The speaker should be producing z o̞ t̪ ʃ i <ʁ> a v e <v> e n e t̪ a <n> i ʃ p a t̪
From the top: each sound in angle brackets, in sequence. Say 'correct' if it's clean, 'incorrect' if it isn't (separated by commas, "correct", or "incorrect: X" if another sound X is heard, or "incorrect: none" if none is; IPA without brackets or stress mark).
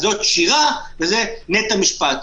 correct, incorrect: z, incorrect: m